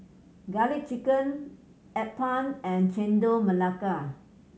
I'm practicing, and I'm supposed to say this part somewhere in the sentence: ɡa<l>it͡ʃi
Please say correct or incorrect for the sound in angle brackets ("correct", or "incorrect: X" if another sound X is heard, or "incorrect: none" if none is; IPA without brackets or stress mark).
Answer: correct